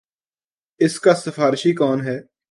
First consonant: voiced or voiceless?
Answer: voiceless